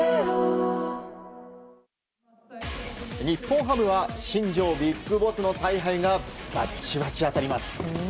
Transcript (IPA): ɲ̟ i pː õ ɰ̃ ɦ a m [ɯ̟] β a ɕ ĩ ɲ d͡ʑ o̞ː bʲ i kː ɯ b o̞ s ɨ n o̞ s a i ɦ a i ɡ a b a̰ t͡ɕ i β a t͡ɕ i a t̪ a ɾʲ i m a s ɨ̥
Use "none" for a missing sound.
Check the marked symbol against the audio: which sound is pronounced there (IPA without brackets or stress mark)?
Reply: ɯ̟